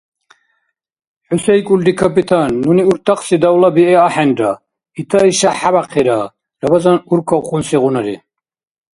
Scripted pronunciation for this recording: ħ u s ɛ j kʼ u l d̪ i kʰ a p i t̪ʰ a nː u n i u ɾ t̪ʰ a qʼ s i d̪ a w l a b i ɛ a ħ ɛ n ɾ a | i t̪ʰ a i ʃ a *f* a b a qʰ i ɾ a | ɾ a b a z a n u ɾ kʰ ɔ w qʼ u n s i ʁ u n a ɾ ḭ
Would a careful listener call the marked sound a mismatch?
yes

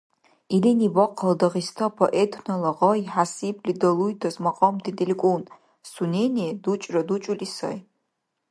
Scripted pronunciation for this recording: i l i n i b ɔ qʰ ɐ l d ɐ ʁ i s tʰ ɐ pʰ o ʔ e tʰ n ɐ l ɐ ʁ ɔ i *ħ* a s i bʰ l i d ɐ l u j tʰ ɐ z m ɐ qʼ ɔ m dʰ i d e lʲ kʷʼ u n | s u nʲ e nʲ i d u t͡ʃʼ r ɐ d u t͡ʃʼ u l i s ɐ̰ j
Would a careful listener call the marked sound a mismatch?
no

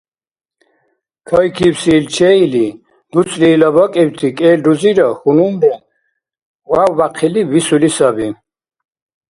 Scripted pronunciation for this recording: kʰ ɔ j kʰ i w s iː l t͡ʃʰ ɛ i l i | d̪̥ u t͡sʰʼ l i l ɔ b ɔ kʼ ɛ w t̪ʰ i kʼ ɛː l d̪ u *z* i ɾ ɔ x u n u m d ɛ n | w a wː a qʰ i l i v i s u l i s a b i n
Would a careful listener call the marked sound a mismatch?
no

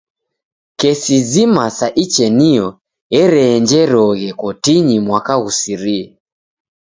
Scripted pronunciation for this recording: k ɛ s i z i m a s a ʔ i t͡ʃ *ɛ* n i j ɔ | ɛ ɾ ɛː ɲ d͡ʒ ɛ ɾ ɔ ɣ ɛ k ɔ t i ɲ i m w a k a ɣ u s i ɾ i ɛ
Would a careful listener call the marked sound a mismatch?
no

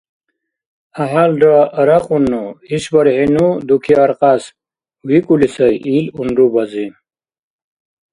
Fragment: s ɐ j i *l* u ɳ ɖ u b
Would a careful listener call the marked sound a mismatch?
no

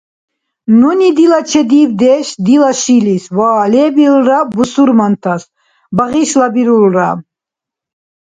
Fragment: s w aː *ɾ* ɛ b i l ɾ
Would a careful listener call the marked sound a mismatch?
yes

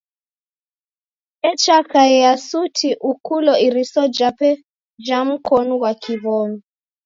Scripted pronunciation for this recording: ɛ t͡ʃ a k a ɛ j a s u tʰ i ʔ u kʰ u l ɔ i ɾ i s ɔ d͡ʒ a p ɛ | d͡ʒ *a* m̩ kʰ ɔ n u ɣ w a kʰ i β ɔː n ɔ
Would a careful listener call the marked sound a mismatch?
no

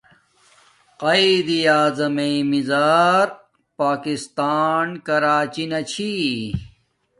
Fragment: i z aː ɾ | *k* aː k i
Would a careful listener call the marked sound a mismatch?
yes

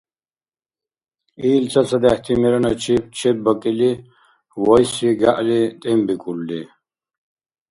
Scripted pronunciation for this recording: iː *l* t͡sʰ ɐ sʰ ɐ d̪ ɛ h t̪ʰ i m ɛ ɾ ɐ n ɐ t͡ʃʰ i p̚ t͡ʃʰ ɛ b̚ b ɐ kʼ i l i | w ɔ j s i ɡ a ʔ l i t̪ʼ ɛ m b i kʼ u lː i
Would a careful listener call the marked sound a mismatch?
no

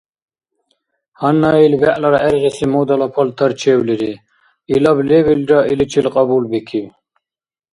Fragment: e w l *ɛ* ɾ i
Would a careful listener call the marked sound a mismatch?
yes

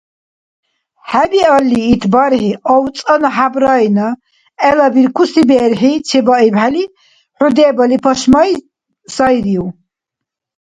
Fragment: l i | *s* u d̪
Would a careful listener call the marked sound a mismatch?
yes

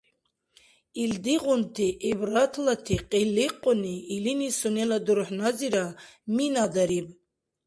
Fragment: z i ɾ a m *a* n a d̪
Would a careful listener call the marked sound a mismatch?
yes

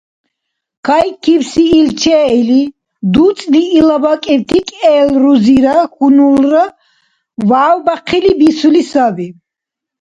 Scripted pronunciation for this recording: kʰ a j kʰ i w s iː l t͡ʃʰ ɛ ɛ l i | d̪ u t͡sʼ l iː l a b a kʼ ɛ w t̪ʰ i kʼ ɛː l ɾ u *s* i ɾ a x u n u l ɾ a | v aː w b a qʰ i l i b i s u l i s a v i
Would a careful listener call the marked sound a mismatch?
yes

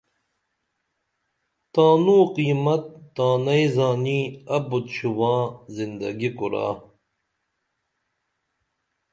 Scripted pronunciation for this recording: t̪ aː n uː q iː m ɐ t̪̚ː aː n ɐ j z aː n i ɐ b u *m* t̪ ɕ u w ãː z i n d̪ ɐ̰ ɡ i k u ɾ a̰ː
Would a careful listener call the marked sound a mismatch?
yes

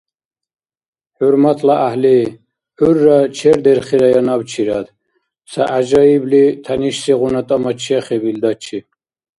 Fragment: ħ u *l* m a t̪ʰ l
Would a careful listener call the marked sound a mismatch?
yes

